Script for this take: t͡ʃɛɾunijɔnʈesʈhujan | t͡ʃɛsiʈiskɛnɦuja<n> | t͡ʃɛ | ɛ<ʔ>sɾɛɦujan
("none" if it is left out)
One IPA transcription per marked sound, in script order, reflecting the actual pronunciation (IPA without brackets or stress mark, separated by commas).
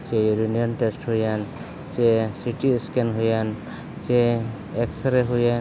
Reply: n, k